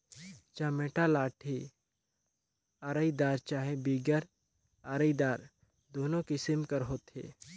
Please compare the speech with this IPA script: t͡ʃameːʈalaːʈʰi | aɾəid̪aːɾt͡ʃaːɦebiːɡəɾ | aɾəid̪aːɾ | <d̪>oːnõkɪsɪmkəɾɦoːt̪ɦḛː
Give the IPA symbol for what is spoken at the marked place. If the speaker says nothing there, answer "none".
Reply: d̪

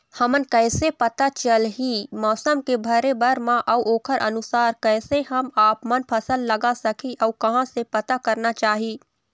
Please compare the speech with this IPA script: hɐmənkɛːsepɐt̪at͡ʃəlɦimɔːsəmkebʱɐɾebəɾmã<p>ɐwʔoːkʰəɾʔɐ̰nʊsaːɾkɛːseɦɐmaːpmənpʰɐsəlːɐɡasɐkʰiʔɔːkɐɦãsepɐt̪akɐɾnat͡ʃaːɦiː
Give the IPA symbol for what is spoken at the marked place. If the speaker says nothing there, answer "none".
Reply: ʔ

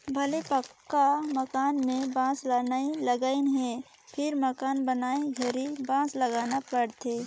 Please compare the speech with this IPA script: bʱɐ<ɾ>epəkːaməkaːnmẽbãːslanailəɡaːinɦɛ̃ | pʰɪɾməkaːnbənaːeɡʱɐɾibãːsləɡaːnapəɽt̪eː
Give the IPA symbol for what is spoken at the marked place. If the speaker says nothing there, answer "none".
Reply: l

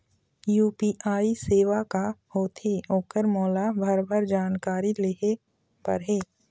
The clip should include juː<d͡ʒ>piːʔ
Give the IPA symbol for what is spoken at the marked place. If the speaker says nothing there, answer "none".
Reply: none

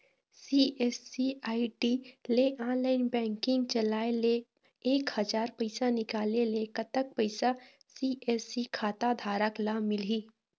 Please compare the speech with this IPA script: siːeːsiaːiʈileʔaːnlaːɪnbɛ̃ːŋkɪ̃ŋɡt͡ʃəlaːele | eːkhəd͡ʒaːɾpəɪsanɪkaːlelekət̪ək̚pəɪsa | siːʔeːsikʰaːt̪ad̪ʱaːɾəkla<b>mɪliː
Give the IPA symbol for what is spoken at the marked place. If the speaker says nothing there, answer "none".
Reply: none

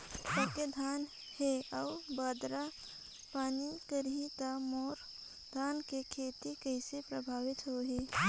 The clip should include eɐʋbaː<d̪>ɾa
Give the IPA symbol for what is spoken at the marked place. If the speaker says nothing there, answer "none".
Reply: d̪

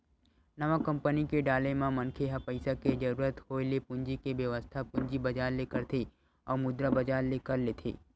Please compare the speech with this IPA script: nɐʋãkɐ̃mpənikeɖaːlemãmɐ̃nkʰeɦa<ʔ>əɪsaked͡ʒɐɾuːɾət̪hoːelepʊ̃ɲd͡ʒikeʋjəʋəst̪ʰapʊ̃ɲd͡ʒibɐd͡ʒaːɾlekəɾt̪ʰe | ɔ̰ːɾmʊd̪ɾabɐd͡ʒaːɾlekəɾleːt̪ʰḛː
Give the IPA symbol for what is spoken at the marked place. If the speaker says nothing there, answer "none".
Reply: p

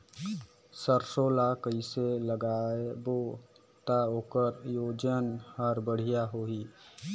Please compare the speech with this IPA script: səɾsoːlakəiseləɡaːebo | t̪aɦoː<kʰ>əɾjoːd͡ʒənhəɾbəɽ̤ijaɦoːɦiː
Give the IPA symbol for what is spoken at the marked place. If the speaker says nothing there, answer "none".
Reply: k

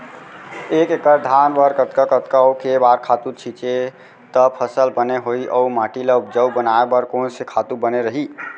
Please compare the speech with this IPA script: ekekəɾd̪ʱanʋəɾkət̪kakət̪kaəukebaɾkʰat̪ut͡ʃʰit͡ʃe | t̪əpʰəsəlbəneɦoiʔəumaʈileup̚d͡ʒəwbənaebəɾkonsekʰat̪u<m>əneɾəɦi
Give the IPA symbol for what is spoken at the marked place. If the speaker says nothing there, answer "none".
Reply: b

